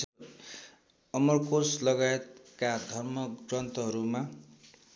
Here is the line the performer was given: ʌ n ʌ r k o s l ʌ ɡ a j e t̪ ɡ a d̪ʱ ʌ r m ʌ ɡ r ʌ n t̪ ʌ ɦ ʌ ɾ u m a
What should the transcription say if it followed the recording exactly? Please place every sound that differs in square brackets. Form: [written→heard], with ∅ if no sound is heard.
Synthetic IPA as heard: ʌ [n→m] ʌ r k o s l ʌ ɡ a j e t̪ [ɡ→k] a d̪ʱ ʌ r m ʌ ɡ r ʌ n t̪ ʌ ɦ ʌ ɾ u m a